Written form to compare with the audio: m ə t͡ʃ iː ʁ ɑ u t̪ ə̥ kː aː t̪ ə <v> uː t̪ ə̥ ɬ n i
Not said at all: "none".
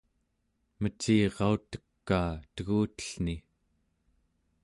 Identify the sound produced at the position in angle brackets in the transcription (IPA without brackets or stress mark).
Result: ɣ